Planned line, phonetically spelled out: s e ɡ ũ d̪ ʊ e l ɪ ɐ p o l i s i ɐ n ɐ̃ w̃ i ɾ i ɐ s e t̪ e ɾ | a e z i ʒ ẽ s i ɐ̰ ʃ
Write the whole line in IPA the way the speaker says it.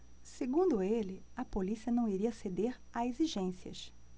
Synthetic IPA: s e ɡ ũ d̪ ʊ e l ɪ ɐ p o l i s i ɐ n ɐ̃ w̃ i ɾ i ɐ s e d̪ e ɾ | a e z i ʒ ẽ s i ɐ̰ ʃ